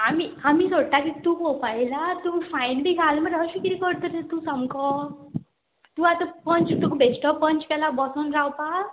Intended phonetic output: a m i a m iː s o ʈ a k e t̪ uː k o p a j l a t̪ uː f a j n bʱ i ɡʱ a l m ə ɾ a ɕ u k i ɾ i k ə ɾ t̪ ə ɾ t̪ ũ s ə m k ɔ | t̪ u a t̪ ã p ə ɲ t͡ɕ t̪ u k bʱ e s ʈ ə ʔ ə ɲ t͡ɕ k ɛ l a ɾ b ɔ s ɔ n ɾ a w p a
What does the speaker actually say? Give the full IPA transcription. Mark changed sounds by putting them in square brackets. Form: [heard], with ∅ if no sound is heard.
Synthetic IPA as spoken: a m i a m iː s o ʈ a k [i] t̪ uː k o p a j l a t̪ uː f a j n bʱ i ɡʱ a l m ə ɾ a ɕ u k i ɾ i k ə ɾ t̪ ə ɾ t̪ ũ s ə m k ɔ | t̪ u a t̪ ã p ə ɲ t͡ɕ t̪ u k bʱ e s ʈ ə [p] ə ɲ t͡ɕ k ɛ l a [∅] b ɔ s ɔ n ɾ a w p a